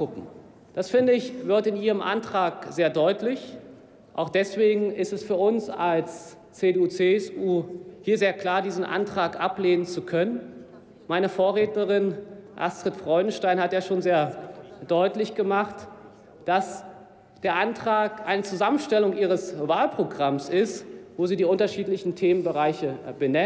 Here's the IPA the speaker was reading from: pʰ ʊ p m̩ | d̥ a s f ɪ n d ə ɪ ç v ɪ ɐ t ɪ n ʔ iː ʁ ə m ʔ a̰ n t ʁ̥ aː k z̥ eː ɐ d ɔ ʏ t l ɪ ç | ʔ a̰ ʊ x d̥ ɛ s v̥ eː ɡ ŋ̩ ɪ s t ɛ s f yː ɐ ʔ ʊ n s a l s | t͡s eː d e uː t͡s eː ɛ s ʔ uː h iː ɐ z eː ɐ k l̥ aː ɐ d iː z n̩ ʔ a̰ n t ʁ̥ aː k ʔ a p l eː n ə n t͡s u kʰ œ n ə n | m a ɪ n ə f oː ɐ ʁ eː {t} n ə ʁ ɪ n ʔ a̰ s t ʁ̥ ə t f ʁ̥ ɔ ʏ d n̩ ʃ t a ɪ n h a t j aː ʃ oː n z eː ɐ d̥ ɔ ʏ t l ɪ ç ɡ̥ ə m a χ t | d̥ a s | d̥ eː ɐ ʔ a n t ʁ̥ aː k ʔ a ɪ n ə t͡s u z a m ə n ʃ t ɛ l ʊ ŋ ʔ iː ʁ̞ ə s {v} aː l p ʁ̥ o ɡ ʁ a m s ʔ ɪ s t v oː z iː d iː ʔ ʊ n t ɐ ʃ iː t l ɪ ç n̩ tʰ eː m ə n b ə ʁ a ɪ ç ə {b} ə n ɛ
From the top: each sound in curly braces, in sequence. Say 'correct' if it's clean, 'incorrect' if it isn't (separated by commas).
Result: correct, correct, correct